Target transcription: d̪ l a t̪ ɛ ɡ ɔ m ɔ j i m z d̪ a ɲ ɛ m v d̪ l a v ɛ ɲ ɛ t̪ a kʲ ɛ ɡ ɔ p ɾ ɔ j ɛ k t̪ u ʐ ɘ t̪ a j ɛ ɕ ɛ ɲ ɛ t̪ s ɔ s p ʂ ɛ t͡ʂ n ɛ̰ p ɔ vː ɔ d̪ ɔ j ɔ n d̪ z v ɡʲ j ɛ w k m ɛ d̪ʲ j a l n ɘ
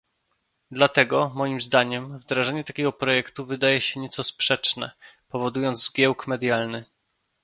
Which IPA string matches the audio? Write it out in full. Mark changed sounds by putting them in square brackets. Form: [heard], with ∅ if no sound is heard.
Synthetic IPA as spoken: d̪ l a t̪ ɛ ɡ ɔ m ɔ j i m z d̪ a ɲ ɛ m v d̪ [ɾ] a [ʐ] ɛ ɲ ɛ t̪ a kʲ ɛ ɡ ɔ p ɾ ɔ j ɛ k t̪ u [v] ɘ [d̪] a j ɛ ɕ ɛ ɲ ɛ t̪ s ɔ s p ʂ ɛ t͡ʂ n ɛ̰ p ɔ [v] ɔ d̪ [u] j ɔ n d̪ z [z] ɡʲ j ɛ w k m ɛ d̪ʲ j a l n ɘ